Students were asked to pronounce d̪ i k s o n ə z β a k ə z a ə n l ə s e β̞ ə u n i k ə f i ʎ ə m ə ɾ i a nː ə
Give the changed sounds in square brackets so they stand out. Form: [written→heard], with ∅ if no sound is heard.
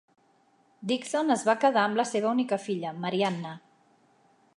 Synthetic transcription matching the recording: d̪ i k s o n ə z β a k ə [z→ð] a ə [n→m] l ə s e β̞ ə u n i k ə f i ʎ ə m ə ɾ i a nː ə